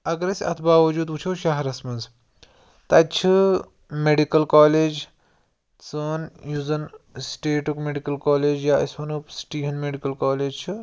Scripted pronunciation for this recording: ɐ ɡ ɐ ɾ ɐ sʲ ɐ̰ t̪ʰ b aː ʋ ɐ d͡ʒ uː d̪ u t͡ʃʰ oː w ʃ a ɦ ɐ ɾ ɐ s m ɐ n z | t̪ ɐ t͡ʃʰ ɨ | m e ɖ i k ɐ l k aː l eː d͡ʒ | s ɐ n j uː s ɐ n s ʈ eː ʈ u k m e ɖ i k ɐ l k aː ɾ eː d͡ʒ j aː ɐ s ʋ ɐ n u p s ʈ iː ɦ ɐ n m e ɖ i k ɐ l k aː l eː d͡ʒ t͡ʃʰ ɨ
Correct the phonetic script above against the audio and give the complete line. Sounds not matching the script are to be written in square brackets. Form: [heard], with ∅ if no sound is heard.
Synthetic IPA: ɐ ɡ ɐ ɾ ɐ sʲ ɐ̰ t̪ʰ b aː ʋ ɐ d͡ʒ uː d̪ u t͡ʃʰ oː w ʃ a ɦ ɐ ɾ ɐ s m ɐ n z | t̪ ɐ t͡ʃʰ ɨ | m e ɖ i k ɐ l k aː l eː d͡ʒ | [t͡s] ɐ n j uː [z] ɐ n s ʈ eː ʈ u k m e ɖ i k ɐ l k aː [l] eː d͡ʒ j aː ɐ s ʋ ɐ n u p s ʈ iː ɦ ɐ n m e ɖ i k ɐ l k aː l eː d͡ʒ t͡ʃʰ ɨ